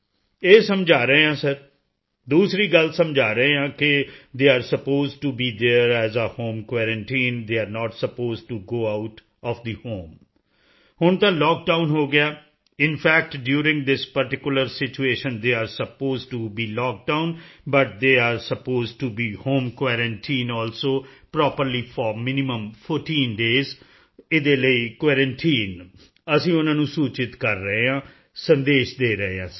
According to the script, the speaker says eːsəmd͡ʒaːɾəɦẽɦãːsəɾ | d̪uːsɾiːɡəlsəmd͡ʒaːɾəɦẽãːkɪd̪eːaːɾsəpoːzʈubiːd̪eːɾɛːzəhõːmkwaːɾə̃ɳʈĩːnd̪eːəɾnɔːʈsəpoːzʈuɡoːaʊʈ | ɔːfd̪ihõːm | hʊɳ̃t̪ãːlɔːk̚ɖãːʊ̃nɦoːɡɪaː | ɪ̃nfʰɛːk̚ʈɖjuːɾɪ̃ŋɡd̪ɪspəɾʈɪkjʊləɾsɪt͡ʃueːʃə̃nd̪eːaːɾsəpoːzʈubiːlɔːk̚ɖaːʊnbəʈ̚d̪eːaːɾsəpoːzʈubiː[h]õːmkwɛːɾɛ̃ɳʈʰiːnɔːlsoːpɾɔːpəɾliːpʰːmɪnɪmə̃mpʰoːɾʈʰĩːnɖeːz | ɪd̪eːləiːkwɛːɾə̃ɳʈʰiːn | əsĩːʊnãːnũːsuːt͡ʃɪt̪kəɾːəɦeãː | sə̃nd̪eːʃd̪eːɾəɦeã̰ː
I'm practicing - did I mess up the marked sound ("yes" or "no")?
no